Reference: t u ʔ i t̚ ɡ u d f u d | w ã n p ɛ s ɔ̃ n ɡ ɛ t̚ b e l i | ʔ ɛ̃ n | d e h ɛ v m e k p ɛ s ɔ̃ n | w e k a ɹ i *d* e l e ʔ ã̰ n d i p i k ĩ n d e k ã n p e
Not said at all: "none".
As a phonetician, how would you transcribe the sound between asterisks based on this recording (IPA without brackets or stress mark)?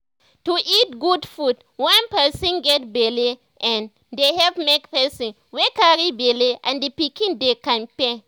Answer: b